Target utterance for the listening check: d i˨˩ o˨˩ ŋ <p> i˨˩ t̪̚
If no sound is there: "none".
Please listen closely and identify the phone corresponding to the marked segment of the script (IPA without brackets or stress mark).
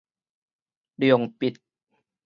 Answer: p